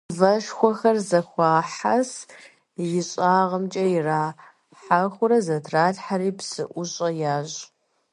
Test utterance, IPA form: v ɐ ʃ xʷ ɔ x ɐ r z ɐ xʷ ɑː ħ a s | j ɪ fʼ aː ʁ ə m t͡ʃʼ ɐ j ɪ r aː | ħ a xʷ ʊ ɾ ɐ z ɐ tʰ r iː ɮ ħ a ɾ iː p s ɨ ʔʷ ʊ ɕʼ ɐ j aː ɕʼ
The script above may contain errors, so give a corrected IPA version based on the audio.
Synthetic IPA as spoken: v ɐ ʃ xʷ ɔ x ɐ r z ɐ xʷ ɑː ħ a s | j ɪ ɕʼ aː ʁ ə m t͡ʃʼ ɐ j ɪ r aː | ħ a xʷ ʊ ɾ ɐ z ɐ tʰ r aː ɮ ħ a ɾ iː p s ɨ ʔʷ ʊ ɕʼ ɐ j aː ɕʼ